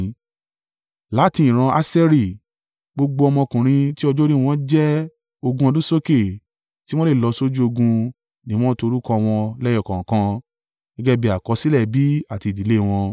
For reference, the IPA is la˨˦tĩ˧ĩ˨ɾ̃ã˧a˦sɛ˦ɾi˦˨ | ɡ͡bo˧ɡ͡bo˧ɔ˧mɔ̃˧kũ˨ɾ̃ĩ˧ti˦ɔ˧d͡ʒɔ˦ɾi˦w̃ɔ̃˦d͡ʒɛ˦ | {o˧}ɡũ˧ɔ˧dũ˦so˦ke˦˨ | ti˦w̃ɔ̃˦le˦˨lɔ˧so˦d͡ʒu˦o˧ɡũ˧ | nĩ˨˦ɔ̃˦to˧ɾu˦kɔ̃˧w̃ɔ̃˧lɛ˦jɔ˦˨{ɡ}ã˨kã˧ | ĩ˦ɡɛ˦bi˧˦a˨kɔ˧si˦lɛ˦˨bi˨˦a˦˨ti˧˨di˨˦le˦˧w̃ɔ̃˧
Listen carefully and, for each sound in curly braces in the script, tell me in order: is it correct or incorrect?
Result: correct, incorrect: k

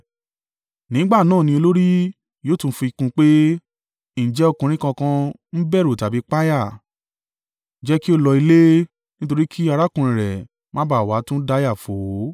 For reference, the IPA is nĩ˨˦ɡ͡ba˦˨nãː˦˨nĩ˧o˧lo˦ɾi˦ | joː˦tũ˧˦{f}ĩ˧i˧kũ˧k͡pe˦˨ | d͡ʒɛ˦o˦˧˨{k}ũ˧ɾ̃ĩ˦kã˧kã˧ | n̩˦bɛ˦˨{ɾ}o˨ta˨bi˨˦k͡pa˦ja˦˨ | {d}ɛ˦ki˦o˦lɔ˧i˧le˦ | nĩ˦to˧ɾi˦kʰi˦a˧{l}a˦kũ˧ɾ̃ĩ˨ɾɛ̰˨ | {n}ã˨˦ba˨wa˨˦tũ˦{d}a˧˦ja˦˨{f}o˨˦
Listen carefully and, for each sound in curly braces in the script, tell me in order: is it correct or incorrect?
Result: correct, correct, correct, incorrect: d͡ʒ, incorrect: ɾ, incorrect: m, correct, correct

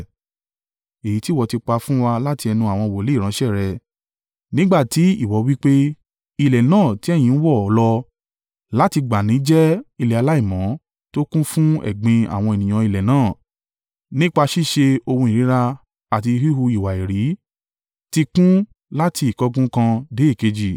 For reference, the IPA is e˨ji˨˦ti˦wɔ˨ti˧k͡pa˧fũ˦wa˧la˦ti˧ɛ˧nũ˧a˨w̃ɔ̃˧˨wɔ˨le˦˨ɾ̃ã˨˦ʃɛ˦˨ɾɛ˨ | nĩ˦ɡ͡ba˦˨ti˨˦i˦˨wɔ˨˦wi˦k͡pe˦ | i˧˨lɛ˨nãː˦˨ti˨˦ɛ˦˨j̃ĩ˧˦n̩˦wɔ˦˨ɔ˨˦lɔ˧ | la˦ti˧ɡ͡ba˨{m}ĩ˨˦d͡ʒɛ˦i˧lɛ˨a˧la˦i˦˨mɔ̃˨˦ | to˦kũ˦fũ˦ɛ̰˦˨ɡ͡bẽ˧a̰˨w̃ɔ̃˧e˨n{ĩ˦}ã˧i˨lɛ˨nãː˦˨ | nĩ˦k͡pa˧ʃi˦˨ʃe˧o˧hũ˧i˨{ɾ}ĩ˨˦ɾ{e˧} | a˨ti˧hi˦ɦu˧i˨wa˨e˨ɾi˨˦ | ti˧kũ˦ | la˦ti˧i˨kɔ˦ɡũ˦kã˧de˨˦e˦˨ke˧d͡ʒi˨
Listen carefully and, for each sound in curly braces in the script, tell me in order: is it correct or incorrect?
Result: incorrect: n, incorrect: ĩ˨, correct, incorrect: a˧

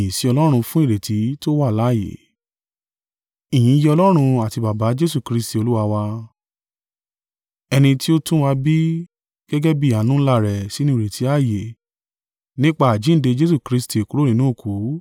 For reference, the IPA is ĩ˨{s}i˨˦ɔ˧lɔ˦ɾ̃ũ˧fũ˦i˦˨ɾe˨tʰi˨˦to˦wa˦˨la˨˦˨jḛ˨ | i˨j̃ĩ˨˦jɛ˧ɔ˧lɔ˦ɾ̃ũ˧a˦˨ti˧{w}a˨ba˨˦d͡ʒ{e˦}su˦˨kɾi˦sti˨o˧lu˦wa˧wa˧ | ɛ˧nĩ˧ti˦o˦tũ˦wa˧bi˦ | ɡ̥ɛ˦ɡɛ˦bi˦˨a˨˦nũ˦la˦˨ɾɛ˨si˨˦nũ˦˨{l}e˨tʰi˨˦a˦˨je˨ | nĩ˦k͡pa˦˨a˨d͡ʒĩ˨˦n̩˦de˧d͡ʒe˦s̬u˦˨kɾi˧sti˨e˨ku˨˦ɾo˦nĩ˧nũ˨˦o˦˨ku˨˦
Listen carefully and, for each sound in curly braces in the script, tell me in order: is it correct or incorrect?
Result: correct, incorrect: b, correct, incorrect: ɾ

